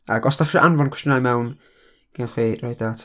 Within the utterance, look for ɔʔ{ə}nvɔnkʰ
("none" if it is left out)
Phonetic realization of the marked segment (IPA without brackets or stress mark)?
a